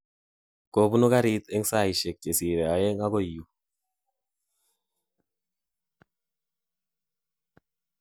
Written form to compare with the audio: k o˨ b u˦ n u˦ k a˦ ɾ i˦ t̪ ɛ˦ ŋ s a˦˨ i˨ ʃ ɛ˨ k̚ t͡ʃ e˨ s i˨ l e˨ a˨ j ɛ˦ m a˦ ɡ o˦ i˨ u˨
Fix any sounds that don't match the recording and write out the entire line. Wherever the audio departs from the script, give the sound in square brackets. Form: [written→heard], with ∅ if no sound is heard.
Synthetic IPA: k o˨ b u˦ n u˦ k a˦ ɾ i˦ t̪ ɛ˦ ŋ s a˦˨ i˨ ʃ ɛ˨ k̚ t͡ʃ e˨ s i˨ [l→ɾ] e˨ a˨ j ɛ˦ [m→ŋ] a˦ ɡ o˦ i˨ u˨